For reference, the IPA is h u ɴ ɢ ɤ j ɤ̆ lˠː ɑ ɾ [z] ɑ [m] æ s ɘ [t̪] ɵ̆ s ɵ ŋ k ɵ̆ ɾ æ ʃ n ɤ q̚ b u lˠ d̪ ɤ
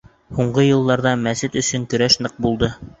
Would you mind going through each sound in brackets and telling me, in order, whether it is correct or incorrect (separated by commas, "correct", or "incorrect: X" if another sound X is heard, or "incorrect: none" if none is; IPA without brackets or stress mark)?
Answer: incorrect: ð, correct, correct